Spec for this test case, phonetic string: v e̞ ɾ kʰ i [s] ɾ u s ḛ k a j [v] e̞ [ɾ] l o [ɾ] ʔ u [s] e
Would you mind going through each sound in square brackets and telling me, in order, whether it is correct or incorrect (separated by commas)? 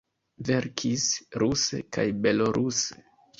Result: correct, incorrect, incorrect, correct, correct